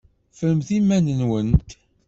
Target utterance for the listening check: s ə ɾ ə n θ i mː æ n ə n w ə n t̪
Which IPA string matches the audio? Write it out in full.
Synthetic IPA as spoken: f ə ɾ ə m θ i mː æ n ə n w ə n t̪